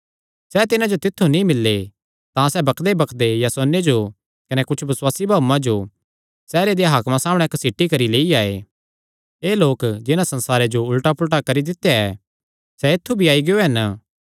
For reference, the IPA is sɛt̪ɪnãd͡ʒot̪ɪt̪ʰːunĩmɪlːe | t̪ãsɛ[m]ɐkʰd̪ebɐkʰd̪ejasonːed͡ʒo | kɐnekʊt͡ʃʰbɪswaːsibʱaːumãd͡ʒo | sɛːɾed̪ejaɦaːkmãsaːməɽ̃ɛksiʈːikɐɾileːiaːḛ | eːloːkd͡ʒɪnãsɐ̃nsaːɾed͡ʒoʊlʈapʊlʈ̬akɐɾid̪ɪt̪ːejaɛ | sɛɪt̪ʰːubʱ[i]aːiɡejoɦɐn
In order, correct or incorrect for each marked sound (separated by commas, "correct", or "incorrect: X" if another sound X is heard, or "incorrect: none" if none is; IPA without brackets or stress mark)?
incorrect: b, correct